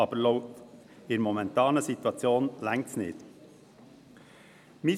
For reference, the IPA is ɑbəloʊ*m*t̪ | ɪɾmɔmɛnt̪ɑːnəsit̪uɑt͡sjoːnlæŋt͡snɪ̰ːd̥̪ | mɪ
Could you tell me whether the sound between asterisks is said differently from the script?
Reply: yes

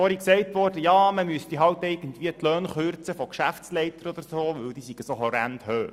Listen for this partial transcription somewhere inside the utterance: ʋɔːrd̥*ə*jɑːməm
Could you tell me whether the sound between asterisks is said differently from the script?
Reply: no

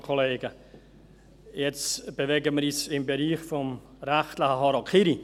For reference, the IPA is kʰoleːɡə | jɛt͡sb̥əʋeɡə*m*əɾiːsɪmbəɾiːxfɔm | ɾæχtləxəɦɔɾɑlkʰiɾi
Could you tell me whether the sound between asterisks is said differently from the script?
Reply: no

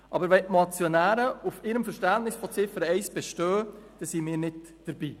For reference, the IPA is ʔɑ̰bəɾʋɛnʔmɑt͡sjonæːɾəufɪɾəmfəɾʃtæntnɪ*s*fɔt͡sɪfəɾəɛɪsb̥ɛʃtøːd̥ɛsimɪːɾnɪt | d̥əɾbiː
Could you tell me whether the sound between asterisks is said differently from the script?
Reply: no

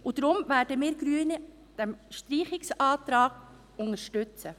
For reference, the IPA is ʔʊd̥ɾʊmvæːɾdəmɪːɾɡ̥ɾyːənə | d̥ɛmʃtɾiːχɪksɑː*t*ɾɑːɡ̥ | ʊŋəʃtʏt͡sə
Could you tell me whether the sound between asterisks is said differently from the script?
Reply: no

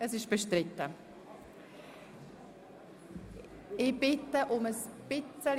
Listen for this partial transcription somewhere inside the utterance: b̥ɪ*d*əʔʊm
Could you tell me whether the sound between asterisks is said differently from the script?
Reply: yes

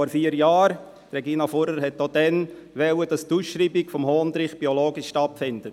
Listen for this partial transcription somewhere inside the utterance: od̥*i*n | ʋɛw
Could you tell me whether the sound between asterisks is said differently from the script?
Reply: yes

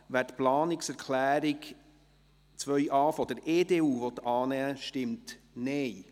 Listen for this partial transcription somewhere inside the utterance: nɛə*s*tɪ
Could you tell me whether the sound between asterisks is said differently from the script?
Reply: yes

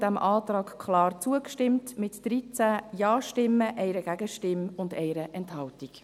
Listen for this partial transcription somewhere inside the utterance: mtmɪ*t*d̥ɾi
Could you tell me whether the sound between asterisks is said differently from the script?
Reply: no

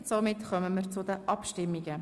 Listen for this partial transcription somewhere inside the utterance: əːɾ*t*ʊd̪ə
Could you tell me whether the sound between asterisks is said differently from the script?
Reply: yes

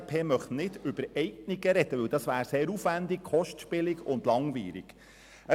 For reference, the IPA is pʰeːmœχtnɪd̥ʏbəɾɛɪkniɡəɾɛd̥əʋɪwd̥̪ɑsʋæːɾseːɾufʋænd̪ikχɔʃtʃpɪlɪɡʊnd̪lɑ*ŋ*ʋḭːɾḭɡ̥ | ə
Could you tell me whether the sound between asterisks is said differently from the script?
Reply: no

